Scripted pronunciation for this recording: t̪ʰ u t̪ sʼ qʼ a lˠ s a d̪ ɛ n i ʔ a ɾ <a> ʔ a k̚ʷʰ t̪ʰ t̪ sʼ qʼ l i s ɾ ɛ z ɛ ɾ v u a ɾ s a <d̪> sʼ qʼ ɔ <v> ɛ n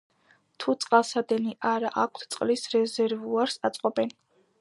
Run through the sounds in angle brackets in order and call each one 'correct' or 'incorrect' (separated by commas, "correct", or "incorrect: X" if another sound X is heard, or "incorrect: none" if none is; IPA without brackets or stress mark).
correct, incorrect: t̪, incorrect: b